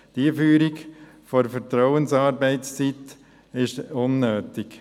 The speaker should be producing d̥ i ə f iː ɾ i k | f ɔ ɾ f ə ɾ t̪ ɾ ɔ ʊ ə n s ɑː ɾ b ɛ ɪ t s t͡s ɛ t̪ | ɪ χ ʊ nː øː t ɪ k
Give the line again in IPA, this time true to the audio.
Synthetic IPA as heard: d̥ i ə f yː ɾ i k | f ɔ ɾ f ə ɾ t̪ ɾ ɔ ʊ ə n s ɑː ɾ b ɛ ɪ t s t͡s i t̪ | ɪ ʃ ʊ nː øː t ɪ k